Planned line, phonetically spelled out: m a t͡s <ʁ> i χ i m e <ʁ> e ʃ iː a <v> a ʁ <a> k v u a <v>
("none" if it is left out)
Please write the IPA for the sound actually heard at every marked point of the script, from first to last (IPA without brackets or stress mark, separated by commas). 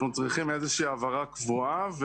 ʁ, z, v, a, v